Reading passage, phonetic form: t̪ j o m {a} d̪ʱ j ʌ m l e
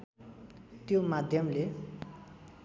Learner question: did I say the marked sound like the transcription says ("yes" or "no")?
yes